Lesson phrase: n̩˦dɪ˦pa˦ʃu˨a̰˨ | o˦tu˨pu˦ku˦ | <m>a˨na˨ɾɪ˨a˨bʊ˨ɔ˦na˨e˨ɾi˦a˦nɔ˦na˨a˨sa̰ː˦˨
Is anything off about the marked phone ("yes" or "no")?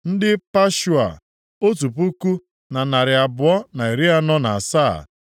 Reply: yes